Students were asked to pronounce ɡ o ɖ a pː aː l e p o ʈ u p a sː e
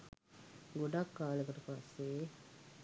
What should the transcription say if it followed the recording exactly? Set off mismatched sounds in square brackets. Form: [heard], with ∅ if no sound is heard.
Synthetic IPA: ɡ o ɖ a [kː] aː l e [k] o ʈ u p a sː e